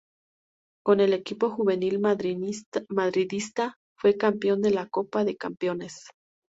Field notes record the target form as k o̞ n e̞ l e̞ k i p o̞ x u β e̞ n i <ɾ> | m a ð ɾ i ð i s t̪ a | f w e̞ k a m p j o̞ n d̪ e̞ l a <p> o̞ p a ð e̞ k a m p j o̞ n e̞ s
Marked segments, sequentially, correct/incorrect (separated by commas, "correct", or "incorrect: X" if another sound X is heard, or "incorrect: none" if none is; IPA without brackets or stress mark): incorrect: l, incorrect: k